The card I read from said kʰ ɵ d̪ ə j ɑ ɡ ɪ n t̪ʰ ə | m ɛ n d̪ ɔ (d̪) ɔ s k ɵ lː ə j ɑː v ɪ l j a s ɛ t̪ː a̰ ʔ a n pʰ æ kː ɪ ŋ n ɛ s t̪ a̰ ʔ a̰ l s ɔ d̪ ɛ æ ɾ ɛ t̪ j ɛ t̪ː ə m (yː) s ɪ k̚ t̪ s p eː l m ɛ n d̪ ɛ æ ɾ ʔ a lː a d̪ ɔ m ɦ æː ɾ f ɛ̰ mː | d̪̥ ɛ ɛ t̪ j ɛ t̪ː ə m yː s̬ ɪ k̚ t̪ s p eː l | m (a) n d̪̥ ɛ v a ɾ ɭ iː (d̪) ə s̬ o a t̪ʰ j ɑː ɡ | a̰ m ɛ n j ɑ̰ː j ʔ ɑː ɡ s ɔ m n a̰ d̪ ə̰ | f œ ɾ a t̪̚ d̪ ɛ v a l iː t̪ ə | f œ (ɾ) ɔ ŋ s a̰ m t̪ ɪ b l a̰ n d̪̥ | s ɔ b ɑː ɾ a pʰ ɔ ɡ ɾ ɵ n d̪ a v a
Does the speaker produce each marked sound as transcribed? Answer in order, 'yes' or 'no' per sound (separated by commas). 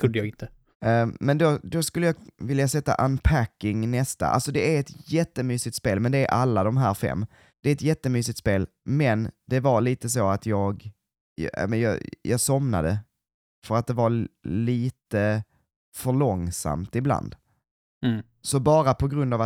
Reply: yes, yes, no, no, no